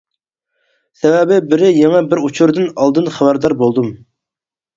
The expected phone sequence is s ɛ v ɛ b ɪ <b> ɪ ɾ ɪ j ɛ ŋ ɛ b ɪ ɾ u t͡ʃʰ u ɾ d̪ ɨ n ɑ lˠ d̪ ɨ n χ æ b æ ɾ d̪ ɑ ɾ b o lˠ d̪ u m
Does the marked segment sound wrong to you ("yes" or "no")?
no